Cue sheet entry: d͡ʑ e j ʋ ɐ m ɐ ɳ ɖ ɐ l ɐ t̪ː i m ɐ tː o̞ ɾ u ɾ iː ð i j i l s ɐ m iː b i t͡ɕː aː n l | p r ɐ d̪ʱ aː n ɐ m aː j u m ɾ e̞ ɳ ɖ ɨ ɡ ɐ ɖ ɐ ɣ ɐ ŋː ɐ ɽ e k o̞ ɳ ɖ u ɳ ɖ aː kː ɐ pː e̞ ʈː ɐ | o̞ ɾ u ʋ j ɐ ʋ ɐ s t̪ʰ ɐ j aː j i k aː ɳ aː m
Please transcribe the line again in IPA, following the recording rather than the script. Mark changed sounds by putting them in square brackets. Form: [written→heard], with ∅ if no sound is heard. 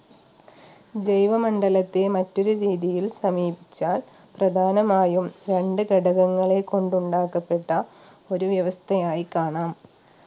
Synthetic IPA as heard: d͡ʑ e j ʋ ɐ m ɐ ɳ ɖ ɐ l ɐ t̪ː [i→e] m ɐ tː o̞ ɾ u ɾ iː ð i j i l s ɐ m iː b i t͡ɕː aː [n→∅] l | p r ɐ d̪ʱ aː n ɐ m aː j u m ɾ e̞ ɳ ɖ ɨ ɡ ɐ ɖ ɐ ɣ ɐ ŋː ɐ [ɽ→ɭ] e k o̞ ɳ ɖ u ɳ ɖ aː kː ɐ pː e̞ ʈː ɐ | o̞ ɾ u ʋ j ɐ ʋ ɐ s t̪ʰ ɐ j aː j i k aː ɳ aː m